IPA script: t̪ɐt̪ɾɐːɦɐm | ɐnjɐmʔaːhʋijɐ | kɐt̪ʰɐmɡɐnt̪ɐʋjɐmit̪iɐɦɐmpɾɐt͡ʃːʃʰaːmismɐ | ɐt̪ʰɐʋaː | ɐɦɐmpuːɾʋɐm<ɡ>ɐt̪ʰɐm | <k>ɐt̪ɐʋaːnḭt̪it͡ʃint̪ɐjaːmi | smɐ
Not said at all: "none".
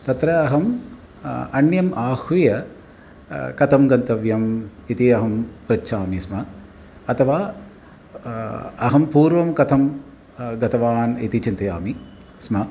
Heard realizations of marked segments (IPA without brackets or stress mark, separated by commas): k, ɡ